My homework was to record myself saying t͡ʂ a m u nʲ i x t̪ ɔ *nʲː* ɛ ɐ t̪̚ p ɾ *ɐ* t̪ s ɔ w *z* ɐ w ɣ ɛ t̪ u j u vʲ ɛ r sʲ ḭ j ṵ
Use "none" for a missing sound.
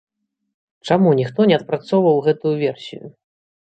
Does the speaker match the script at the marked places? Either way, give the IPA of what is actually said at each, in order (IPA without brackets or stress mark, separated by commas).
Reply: nʲ, a, v